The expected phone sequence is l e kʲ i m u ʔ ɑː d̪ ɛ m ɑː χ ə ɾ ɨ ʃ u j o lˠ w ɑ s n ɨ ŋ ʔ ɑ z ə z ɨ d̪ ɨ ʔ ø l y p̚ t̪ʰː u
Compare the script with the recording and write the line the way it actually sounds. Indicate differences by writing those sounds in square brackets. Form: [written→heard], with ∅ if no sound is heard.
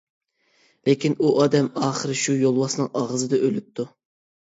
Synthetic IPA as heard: l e kʲ i [m→n] u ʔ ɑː d̪ ɛ m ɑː χ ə ɾ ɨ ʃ u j o lˠ w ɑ s n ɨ ŋ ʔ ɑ [z→ʁ] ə z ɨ d̪ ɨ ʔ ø l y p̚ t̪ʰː u